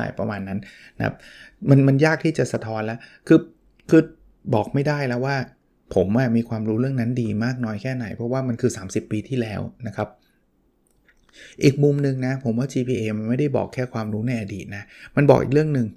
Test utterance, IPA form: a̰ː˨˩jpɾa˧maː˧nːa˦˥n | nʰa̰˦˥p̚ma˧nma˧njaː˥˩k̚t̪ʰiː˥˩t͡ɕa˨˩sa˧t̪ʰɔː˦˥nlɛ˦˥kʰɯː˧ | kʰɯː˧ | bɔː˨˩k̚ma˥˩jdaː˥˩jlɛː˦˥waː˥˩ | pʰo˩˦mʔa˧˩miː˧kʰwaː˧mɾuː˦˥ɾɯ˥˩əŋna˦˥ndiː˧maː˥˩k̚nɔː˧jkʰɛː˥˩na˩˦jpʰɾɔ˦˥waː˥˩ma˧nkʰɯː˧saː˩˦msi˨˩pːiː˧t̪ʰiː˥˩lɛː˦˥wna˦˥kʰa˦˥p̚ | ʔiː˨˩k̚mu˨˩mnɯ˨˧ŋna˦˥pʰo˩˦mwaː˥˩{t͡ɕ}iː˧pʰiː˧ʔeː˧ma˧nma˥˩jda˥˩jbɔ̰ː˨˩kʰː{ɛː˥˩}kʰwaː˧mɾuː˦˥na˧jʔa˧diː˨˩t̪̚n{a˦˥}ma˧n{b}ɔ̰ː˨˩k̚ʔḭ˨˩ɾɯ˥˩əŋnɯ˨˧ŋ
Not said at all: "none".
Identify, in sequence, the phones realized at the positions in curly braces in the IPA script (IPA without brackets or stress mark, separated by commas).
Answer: t͡ɕ, ɛː˥˩, a˦˥, b